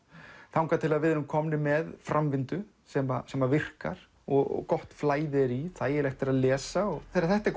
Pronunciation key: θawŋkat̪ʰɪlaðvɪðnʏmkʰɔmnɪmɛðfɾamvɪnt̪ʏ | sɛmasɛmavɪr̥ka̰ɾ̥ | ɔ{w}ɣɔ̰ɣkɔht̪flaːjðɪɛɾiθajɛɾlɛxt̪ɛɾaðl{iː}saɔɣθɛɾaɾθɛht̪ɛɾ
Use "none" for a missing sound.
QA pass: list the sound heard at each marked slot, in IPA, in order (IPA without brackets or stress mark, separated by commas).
none, ɛː